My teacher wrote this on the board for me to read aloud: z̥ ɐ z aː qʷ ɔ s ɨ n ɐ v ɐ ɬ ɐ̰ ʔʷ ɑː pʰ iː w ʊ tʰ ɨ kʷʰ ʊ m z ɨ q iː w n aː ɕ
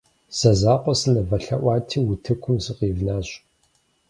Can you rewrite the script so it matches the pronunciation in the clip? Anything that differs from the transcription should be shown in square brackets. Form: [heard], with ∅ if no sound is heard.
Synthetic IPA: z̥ ɐ z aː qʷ ɔ s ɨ n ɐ v ɐ ɬ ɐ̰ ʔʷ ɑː [tʰ] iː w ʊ tʰ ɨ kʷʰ ʊ m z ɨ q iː [v] n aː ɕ